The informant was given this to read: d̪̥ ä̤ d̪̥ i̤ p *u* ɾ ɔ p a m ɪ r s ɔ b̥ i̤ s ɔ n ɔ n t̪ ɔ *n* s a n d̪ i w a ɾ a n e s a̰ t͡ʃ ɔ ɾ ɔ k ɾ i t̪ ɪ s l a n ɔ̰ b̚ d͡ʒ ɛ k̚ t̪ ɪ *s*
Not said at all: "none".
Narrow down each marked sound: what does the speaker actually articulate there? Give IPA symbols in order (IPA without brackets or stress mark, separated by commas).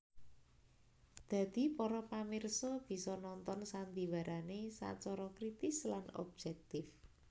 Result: ɔ, n, f